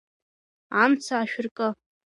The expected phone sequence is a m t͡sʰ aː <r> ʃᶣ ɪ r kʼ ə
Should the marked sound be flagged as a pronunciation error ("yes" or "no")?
yes